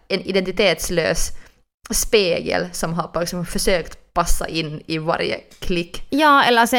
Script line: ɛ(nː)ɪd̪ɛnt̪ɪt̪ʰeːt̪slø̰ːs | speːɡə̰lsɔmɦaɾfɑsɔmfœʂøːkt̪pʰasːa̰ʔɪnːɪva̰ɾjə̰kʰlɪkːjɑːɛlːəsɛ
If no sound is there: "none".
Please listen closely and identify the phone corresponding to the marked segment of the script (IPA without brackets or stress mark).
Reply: n